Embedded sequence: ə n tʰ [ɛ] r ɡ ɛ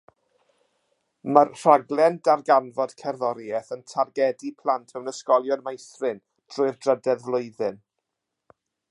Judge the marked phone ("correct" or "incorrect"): incorrect